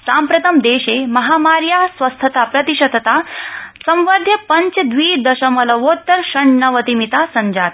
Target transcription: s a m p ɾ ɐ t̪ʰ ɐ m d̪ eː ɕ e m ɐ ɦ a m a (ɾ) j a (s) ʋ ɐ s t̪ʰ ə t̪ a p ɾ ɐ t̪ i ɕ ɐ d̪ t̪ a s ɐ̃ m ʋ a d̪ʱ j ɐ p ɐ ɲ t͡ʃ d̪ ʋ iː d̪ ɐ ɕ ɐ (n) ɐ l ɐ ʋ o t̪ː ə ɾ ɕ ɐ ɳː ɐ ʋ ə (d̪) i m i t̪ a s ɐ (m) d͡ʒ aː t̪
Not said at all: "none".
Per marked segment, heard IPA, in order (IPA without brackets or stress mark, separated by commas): ɾ, s, m, t̪, ɲ